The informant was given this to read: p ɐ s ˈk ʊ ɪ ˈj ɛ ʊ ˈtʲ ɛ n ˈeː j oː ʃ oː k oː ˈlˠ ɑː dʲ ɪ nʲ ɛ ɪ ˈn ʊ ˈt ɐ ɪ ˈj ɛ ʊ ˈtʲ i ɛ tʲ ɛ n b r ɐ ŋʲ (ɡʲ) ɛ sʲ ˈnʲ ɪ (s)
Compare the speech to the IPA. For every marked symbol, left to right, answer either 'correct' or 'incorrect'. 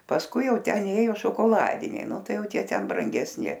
correct, incorrect: none

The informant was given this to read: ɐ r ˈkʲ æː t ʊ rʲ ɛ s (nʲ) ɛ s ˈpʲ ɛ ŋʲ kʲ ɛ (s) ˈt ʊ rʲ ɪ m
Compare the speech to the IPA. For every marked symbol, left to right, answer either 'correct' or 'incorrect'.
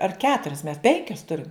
incorrect: mʲ, correct

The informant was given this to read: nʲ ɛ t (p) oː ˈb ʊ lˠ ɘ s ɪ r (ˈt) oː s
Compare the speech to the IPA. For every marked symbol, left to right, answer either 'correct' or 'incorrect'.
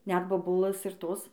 incorrect: b, correct

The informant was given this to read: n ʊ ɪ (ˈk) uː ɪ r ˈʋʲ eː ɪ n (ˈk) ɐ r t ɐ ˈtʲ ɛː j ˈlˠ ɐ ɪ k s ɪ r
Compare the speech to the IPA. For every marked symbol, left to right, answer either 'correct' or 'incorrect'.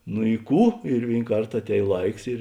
correct, correct

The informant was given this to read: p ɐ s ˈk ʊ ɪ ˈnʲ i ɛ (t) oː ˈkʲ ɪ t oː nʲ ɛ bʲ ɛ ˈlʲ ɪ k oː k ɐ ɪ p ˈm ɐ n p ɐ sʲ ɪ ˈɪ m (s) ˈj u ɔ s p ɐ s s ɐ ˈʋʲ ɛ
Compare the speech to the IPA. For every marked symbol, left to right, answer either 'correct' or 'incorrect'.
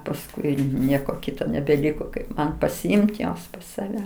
incorrect: k, incorrect: t

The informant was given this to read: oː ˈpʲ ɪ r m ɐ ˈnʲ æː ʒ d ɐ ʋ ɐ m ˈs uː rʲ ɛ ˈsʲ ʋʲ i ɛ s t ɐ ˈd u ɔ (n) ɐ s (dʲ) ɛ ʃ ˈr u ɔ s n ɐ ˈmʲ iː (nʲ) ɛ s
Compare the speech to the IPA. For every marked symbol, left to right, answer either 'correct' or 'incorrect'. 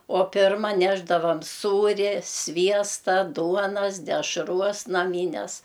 correct, correct, correct

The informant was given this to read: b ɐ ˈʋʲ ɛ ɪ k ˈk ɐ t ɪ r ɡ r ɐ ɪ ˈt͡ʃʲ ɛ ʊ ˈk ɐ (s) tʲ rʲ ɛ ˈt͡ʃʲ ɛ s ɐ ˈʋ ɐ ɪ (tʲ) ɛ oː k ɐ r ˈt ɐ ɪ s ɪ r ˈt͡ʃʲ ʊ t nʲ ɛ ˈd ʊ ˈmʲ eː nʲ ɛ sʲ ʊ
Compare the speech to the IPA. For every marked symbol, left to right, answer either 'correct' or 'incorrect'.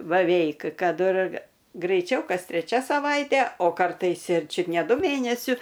correct, correct

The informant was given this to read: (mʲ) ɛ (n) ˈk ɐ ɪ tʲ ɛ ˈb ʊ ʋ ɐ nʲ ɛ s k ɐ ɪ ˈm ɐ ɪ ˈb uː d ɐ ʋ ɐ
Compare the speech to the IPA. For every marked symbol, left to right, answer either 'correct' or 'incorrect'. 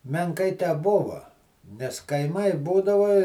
correct, incorrect: ŋ

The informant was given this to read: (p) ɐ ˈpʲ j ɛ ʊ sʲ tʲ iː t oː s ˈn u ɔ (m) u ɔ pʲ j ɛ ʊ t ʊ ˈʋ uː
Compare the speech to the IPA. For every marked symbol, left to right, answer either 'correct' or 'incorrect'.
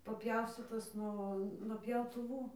correct, incorrect: n

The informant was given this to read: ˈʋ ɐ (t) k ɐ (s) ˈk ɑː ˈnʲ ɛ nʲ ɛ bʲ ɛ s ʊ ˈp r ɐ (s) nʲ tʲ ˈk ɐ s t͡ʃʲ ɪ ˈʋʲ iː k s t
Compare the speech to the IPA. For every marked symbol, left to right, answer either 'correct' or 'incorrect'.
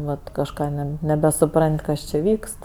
correct, incorrect: ʃ, incorrect: none

